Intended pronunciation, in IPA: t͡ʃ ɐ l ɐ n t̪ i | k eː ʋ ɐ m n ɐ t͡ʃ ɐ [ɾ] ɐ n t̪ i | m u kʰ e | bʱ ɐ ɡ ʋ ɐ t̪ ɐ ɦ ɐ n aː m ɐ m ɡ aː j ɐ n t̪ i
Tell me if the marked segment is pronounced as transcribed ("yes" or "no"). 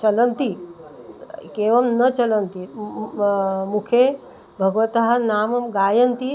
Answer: no